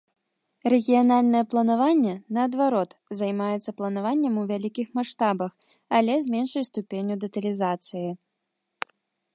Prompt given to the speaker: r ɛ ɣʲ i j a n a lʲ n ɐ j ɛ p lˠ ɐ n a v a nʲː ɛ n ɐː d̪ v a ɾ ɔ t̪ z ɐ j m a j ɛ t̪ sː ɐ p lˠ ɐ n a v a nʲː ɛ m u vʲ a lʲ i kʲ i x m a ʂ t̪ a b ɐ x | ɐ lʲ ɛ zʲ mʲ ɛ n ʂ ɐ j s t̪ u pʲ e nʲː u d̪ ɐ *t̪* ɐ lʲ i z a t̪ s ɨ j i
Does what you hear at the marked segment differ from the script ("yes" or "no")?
no